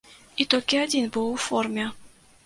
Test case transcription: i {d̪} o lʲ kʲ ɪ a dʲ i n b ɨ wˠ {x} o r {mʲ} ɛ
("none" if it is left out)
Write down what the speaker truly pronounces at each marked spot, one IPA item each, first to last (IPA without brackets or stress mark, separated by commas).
t̪, f, mʲ